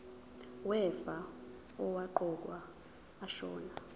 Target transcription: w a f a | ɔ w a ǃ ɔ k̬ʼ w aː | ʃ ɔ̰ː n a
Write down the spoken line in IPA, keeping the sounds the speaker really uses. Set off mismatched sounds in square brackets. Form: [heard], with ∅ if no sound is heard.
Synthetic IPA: w [ɛ] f a | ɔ w a ǃ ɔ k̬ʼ w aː | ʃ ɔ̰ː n a